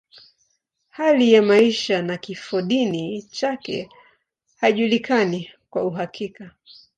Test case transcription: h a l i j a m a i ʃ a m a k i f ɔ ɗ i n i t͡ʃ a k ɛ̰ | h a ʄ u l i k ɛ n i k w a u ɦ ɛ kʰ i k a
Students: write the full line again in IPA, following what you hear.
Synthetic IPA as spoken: h a l i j a m a i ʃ a n a k i f ɔ ɗ i n i t͡ʃ a k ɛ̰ | h a ʄ u l i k a n i k w a u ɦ a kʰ i k a